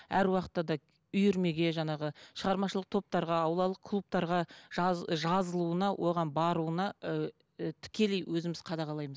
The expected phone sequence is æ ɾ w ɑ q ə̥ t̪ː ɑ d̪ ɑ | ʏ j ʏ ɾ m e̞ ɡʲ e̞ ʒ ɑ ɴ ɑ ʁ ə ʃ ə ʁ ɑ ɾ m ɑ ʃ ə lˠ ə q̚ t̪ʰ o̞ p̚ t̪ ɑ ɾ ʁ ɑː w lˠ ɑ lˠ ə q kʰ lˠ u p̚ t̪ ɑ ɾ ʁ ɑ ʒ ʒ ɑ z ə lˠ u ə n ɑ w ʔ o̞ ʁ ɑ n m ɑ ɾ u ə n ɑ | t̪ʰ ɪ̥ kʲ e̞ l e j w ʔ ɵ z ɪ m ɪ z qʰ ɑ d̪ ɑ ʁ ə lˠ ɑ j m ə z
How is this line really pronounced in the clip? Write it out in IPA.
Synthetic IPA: æ ɾ w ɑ q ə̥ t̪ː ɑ d̪ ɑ | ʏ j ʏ ɾ m e̞ ɡʲ e̞ ʒ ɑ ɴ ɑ ʁ ə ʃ ə ʁ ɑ ɾ m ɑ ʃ ə lˠ ə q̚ t̪ʰ o̞ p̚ t̪ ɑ ɾ ʁ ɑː w lˠ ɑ lˠ ə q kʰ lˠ u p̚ t̪ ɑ ɾ ʁ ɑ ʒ ʒ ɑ z ə lˠ u ə n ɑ w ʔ o̞ ʁ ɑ n b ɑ ɾ u ə n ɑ | t̪ʰ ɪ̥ kʲ e̞ l e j w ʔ ɵ z ɪ m ɪ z qʰ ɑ d̪ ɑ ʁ ɑ lˠ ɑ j m ə z